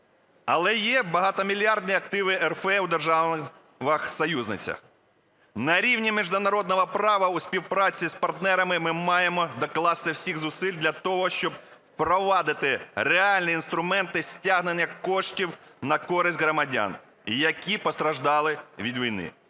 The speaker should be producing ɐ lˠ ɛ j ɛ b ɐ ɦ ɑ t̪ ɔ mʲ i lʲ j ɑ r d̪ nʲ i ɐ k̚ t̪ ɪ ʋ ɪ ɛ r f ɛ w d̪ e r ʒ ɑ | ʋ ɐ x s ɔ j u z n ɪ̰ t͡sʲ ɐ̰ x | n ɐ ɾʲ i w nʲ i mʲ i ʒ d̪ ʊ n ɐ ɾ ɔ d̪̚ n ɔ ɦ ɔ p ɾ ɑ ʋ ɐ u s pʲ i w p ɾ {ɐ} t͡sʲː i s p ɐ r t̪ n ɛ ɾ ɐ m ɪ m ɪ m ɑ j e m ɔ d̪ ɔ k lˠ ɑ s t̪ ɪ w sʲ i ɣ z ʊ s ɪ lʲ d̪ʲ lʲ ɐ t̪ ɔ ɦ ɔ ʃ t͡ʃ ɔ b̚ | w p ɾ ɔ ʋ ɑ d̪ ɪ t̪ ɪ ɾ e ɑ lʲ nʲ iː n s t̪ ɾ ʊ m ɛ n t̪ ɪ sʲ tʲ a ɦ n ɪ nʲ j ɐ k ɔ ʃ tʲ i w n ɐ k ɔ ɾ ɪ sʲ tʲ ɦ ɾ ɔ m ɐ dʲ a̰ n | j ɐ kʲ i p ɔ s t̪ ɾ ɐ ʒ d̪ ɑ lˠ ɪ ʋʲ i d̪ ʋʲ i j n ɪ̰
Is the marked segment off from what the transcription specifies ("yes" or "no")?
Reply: yes